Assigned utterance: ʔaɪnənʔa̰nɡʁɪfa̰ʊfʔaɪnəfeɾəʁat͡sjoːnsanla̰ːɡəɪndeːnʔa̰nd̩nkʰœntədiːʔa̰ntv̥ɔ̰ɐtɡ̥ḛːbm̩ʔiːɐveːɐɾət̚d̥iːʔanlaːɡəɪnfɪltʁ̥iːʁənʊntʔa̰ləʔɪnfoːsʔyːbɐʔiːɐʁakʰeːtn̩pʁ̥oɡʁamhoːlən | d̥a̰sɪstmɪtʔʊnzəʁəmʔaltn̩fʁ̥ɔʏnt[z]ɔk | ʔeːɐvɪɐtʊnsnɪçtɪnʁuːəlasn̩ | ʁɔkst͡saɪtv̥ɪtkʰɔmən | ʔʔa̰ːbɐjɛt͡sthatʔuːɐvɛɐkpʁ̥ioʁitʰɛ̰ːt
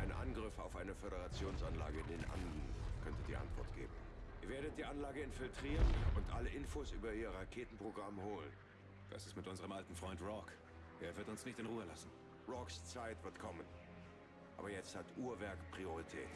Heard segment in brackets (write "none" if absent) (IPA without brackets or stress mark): ʁ